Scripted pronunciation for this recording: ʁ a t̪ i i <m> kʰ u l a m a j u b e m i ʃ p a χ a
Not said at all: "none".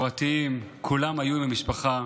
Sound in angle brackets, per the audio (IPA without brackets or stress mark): m